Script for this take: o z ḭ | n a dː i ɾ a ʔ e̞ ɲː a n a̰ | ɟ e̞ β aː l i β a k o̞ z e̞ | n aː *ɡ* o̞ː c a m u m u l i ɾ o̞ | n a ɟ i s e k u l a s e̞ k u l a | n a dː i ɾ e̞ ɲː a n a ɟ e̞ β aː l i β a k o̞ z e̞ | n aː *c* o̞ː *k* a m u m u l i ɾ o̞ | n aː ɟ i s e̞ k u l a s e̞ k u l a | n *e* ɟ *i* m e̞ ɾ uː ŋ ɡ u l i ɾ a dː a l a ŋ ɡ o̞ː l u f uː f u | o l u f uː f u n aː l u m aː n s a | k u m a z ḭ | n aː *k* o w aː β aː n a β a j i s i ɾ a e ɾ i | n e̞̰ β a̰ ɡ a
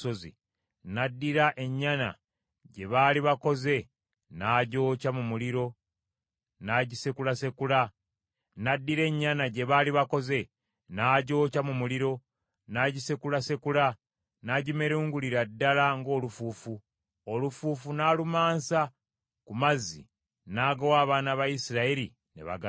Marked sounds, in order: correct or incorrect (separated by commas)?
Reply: incorrect, incorrect, incorrect, incorrect, correct, incorrect